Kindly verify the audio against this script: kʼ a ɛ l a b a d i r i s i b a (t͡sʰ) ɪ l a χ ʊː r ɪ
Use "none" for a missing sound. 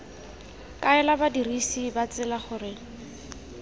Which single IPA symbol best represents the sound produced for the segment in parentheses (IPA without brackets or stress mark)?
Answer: t͡s